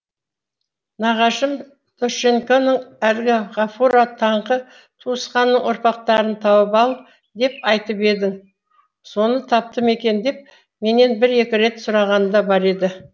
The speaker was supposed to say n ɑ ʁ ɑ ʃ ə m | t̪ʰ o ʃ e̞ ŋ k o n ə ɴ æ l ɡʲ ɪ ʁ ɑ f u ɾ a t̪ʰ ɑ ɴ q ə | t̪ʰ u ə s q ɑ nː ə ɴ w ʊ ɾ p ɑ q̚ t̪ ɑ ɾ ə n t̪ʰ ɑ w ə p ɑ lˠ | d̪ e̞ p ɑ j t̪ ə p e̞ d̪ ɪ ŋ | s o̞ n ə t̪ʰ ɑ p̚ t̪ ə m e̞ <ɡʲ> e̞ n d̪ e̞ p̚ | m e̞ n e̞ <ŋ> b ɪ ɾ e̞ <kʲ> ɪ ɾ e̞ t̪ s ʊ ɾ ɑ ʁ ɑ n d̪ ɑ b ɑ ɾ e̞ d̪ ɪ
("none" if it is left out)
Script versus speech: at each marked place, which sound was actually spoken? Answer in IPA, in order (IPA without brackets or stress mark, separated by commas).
kʲ, n, kʲ